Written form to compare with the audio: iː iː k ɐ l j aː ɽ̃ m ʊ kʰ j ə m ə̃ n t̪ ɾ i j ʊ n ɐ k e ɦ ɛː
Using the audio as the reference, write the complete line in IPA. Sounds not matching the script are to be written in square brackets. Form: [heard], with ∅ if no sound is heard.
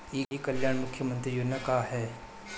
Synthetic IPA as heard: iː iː k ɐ l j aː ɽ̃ m ʊ kʰ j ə m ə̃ n t̪ ɾ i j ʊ n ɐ k [a] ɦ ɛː